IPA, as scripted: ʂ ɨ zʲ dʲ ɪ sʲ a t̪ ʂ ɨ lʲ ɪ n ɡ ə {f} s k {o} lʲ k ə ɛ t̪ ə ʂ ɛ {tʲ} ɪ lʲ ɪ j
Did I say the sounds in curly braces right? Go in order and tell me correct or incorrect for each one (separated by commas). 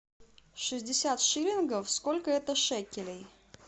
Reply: correct, correct, incorrect